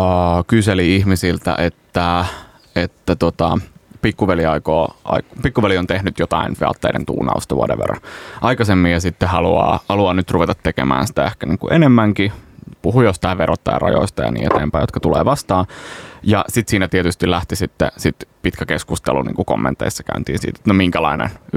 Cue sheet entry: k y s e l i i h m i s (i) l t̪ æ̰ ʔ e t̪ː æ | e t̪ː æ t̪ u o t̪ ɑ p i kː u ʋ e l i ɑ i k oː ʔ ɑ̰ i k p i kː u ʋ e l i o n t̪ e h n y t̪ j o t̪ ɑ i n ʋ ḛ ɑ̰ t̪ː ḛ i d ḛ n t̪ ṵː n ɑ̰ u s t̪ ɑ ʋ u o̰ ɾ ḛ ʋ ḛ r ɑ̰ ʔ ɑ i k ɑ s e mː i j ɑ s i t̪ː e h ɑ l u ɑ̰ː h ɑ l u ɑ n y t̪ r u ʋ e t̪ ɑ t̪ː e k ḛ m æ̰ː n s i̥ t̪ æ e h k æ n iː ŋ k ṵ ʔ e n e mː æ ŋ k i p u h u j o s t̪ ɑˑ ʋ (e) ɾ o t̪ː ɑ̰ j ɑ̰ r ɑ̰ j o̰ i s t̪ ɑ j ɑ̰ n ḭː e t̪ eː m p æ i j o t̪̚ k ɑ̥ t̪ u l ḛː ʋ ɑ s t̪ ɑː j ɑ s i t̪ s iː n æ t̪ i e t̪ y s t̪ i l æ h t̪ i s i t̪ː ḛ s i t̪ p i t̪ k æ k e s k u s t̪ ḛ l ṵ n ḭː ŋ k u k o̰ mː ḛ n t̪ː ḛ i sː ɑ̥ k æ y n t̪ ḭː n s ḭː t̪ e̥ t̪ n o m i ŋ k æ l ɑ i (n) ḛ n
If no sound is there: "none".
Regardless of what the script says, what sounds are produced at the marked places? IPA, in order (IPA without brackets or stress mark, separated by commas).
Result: i, e, n